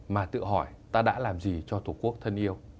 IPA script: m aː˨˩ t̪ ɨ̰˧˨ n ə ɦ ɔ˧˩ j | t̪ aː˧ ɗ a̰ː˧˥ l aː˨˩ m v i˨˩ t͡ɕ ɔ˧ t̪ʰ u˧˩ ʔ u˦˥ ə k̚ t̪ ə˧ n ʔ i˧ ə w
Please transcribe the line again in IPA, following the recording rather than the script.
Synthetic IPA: m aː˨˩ t̪ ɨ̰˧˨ ə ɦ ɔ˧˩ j | t̪ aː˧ ɗ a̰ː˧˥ l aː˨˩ m z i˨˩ t͡ɕ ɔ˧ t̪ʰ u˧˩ k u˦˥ ə k̚ t̪ʰ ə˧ n ʔ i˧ ə w